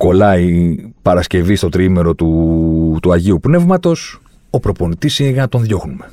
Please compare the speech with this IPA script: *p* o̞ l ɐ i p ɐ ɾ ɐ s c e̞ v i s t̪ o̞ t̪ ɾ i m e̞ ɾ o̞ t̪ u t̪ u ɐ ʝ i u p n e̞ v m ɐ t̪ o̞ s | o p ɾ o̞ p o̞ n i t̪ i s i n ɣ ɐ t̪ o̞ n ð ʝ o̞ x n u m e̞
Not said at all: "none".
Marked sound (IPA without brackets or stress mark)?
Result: k